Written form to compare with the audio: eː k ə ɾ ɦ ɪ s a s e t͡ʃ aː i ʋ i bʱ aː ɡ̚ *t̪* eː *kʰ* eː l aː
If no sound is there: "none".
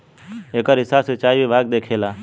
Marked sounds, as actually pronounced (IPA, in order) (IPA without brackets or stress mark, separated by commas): d̪, kʰ